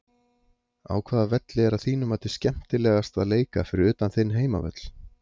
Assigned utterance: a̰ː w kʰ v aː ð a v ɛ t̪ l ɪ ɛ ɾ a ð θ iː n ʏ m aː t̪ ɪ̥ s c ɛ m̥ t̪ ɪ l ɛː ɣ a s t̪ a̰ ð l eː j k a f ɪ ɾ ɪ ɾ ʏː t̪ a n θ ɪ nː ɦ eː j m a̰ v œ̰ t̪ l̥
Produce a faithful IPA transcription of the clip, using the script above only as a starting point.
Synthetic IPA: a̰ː w kʰ v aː ð a v ɛ t̪ l ɪ ɛ ɾ a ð θ iː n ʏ m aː t̪ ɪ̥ s c ɛ m̥ t̪ ɪ l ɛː ɣ a s t̪ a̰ ð l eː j k a f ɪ ɾ ɪ ɾ ʏː t̪ a n θ ɪ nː ɦ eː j m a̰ v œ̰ t̪ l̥